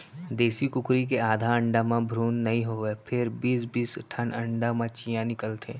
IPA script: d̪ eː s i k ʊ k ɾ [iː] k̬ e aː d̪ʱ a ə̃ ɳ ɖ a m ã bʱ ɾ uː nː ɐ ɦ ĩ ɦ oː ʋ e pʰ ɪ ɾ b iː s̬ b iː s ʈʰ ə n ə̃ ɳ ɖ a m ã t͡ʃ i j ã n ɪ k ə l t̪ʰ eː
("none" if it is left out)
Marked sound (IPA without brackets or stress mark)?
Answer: i